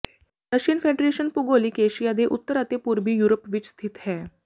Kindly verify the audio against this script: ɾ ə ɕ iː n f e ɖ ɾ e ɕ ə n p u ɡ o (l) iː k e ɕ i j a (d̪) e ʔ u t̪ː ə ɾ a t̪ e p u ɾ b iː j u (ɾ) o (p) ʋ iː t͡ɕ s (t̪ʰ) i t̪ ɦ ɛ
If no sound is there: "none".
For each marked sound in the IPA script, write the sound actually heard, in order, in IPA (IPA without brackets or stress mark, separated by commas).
l, d̪, ɾ, p, t̪ʰ